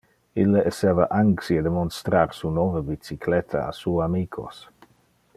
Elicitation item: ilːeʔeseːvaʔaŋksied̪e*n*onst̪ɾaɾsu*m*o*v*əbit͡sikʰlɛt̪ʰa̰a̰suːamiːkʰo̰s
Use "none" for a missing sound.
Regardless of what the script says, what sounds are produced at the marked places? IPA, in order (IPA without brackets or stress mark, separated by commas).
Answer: m, n, v